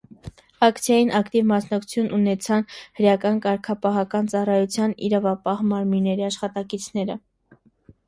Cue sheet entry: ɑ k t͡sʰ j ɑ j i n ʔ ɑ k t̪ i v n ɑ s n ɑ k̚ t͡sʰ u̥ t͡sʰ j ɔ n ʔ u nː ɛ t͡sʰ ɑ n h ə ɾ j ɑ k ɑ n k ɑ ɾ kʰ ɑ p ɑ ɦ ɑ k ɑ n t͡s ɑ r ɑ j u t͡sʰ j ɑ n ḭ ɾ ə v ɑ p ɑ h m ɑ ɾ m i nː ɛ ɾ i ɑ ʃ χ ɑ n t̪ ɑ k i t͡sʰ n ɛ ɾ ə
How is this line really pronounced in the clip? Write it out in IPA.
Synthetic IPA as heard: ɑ k t͡sʰ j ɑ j i n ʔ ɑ k t̪ i v m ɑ s n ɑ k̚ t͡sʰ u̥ t͡sʰ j u n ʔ u n ɛ t͡sʰ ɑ n h ə ɾ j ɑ k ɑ n k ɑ ɾ kʰ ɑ p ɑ ɦ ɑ k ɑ n t͡s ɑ r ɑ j u t͡sʰ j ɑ n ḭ ɾ ɑ v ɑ p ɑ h m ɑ ɾ m i nː ɛ ɾ i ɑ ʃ χ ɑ t̪ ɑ k i t͡sʰ n ɛ ɾ ə